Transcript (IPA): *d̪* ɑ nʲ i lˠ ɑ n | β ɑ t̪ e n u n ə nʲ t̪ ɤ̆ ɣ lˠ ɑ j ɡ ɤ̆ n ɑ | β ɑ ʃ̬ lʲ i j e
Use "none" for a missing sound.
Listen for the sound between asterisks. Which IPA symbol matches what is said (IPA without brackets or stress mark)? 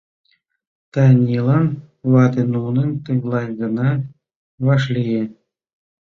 t̪